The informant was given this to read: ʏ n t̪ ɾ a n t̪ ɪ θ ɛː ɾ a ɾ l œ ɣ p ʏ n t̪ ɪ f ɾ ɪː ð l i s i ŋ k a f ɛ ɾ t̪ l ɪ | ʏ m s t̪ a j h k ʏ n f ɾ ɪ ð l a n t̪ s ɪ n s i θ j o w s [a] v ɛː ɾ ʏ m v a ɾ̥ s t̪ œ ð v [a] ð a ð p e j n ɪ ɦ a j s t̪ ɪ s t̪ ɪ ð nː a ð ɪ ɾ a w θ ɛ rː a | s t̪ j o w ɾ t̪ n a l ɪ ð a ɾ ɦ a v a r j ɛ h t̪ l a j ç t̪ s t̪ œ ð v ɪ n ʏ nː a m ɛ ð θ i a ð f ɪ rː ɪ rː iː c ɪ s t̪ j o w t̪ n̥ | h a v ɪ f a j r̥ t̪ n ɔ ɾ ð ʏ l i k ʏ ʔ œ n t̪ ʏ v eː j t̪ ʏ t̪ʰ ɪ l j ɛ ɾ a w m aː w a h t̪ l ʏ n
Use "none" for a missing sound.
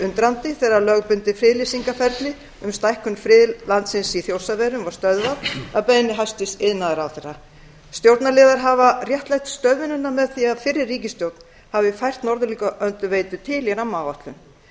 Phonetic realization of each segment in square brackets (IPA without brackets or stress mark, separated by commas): a, a